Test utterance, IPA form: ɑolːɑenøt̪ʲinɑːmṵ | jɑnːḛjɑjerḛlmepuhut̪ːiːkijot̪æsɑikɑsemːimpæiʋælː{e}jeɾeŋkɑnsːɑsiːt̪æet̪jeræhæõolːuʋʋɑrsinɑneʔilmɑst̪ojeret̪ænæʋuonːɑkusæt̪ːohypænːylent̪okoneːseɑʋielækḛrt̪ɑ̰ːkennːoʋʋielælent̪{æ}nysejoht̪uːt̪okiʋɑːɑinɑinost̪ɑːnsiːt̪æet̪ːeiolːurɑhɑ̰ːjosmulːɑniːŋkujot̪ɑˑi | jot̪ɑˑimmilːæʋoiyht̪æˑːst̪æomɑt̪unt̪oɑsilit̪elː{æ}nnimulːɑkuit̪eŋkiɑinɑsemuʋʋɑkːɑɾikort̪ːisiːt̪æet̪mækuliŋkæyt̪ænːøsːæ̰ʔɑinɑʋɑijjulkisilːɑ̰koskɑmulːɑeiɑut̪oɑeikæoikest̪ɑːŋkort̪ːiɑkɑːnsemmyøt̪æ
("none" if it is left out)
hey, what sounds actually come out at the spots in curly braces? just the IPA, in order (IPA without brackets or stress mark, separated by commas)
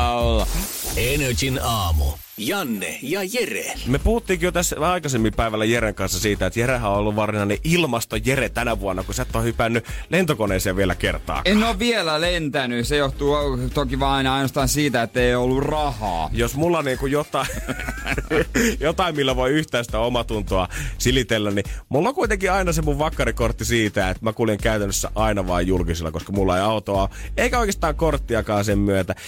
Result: æ, æ, æ